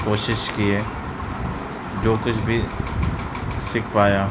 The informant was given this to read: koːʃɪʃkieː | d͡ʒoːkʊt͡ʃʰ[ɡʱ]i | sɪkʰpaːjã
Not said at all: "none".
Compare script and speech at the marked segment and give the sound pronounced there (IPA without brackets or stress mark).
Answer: bʱ